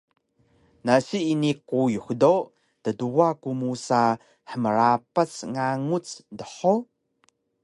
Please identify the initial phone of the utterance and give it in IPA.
n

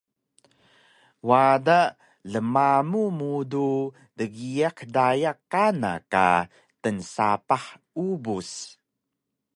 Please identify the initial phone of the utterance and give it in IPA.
w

